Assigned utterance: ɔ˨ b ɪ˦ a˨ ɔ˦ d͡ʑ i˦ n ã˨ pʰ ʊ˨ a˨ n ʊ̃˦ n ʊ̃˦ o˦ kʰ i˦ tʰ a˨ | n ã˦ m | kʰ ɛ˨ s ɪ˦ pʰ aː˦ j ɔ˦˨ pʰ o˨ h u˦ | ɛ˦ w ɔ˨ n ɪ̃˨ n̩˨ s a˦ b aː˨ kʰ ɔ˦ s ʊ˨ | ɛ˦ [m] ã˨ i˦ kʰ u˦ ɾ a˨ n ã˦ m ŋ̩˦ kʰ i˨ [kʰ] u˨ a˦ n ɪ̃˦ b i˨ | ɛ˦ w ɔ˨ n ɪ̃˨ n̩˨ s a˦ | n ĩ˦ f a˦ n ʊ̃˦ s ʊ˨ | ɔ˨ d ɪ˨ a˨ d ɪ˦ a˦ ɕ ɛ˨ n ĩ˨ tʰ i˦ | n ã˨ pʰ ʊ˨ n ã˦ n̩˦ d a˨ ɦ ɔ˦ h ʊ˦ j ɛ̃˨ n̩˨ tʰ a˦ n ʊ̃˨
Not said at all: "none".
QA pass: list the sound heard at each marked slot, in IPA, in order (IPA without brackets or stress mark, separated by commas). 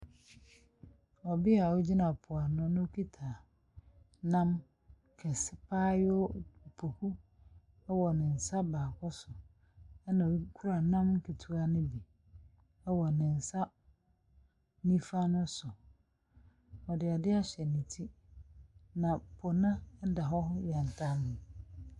n, tʰ